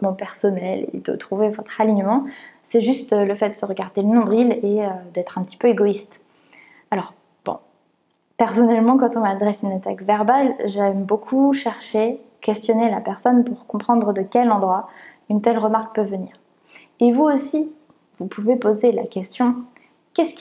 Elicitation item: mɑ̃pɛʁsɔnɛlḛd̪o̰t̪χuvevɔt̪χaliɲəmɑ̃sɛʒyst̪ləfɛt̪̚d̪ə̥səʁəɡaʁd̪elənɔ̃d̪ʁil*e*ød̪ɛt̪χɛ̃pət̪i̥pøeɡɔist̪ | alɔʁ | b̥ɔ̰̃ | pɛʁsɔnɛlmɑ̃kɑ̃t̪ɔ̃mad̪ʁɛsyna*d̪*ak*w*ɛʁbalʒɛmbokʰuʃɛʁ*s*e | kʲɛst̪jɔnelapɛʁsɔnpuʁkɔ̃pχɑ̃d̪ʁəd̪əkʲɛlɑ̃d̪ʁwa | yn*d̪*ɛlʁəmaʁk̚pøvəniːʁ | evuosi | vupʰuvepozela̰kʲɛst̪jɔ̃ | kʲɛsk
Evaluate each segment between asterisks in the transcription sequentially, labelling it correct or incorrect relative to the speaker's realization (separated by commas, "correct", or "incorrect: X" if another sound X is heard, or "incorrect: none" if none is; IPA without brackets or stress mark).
correct, incorrect: t̪, incorrect: v, incorrect: ʃ, incorrect: t̪